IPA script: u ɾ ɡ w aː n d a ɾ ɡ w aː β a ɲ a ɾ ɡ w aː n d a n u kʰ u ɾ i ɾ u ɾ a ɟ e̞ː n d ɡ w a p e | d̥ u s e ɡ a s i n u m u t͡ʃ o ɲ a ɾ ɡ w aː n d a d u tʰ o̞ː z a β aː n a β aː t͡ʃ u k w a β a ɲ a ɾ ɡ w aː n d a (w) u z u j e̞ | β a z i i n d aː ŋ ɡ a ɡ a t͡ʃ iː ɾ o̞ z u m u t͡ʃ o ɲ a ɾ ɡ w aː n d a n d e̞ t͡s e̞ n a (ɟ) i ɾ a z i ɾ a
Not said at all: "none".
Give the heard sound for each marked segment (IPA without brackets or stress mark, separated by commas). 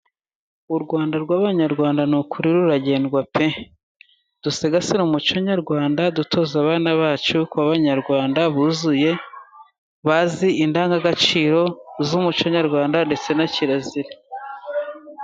β, c